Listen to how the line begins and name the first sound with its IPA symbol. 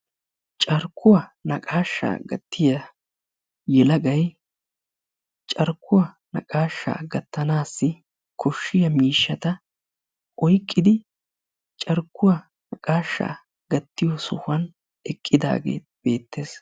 t͡ʃʼ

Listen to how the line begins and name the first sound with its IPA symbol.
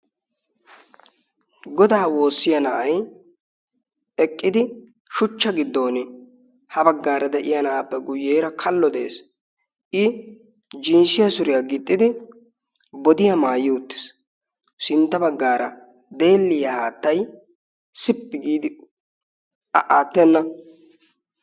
ɡ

